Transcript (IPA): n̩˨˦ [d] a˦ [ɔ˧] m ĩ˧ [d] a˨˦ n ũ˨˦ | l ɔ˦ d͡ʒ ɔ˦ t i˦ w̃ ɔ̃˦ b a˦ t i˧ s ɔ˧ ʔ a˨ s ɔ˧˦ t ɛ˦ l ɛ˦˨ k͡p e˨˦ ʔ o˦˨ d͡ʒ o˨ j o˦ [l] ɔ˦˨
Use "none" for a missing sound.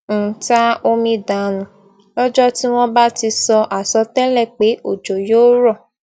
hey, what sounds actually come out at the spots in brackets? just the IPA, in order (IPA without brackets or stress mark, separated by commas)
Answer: t, o˧, d, ɾ